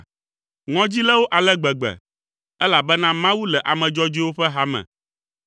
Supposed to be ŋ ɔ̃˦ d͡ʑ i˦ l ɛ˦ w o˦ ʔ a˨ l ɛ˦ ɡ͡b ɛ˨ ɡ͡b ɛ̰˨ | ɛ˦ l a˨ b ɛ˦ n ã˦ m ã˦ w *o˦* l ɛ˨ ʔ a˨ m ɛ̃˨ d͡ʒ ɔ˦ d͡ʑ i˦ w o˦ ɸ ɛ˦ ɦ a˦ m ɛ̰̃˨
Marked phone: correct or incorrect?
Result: incorrect